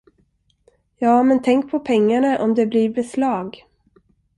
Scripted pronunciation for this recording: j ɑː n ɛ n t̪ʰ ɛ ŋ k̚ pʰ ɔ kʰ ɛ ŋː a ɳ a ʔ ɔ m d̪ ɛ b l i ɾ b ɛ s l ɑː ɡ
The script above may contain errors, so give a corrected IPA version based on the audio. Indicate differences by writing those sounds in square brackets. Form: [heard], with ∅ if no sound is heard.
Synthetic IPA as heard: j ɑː [m] ɛ n t̪ʰ ɛ ŋ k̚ pʰ ɔ [pʰ] ɛ ŋː a ɳ a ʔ ɔ m d̪ ɛ b l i ɾ b ɛ s l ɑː ɡ